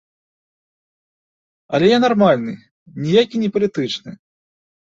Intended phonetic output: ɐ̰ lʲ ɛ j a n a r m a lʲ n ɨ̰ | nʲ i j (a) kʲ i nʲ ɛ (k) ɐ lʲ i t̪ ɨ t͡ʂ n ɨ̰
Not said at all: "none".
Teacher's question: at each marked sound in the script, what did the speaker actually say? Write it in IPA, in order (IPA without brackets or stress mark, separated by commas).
a, p